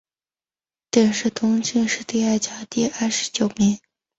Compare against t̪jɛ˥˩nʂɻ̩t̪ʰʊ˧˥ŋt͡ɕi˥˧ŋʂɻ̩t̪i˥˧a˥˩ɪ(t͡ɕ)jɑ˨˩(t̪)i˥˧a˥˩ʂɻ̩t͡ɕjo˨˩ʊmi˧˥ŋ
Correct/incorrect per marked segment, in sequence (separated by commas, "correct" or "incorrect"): correct, correct